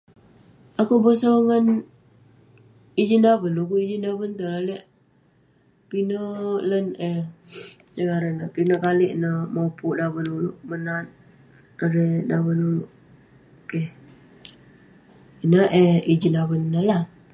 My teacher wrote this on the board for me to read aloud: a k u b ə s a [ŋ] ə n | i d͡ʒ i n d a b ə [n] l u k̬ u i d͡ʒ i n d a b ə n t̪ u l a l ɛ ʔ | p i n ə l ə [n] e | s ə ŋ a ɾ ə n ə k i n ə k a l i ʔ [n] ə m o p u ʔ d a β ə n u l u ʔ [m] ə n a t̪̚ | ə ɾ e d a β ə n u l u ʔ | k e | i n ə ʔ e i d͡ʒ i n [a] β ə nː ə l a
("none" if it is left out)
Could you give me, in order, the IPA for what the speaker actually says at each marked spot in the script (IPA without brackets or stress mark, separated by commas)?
ŋ, n, n, n, m, a